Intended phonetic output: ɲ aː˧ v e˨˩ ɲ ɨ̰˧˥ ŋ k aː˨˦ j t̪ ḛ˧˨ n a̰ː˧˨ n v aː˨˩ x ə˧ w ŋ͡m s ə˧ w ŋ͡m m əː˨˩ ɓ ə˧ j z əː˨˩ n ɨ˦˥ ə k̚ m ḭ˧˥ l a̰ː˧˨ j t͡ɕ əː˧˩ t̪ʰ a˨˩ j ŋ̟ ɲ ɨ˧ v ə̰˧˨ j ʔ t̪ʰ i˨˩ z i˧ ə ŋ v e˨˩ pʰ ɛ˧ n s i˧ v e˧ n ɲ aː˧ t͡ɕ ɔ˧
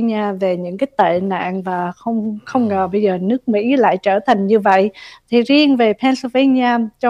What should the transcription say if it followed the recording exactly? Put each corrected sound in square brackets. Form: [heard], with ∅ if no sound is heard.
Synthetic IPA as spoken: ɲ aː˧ v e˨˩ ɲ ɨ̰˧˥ ŋ k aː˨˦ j t̪ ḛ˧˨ n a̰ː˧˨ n v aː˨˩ x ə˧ w ŋ͡m [x] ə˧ w ŋ͡m [ŋ] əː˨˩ ɓ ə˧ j z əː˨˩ n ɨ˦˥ ə k̚ m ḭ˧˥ l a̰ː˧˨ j t͡ɕ əː˧˩ t̪ʰ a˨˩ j ŋ̟ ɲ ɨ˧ v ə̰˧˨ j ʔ t̪ʰ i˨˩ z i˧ ə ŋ v e˨˩ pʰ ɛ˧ n s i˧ v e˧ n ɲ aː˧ t͡ɕ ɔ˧